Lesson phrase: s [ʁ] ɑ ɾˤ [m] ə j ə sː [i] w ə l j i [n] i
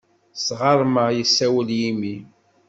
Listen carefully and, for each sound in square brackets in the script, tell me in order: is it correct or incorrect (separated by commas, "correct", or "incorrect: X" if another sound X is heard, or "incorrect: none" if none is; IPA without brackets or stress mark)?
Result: correct, correct, incorrect: æ, incorrect: m